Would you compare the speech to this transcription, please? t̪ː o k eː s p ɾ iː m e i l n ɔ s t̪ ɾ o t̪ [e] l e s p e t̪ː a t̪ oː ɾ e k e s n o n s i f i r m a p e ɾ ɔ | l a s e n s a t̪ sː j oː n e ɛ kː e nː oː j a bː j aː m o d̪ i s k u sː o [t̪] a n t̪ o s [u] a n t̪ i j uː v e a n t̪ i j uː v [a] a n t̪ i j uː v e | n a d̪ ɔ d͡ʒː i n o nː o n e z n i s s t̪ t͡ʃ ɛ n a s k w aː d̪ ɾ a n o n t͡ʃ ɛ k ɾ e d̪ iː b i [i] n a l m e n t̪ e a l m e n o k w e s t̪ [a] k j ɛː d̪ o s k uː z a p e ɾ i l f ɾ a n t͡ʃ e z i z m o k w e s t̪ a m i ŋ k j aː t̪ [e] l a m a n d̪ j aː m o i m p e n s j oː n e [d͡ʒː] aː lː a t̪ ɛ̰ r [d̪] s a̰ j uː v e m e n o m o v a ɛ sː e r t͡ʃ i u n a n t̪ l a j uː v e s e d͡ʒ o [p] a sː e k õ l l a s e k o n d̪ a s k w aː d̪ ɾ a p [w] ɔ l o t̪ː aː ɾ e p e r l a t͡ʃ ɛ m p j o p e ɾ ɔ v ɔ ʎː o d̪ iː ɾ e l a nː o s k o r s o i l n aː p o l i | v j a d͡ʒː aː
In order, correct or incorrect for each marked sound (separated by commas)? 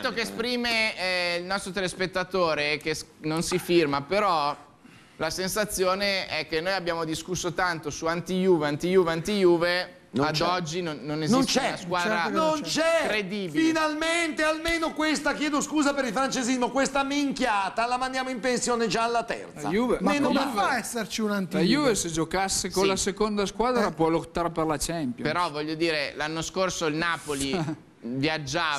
correct, correct, correct, incorrect, correct, correct, incorrect, incorrect, incorrect, incorrect, correct